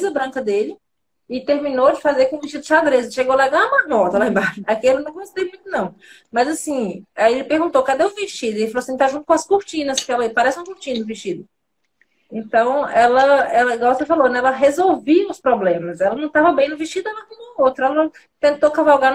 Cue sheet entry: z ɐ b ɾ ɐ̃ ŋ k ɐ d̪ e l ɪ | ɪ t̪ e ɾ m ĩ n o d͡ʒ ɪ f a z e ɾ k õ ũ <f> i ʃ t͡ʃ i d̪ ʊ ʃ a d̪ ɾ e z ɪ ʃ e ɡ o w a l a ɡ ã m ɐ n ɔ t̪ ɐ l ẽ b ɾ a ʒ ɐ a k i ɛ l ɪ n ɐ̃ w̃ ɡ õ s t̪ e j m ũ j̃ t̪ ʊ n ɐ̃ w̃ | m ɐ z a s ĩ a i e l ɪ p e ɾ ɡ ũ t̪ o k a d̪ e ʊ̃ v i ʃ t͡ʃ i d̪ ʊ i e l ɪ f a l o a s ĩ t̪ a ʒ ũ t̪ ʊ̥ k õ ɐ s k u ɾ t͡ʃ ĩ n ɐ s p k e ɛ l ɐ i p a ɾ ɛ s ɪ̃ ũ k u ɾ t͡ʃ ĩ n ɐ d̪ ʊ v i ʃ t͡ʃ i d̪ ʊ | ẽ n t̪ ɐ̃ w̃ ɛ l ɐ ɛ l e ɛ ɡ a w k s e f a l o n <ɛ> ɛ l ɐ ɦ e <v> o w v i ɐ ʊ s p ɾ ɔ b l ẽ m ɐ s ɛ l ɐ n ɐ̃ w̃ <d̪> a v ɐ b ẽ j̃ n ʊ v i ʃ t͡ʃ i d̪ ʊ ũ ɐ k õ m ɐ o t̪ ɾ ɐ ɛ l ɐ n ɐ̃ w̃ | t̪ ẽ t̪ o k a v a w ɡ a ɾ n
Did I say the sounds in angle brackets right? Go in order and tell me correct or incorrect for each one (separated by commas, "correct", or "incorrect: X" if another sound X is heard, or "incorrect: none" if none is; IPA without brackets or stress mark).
incorrect: v, correct, incorrect: z, incorrect: t̪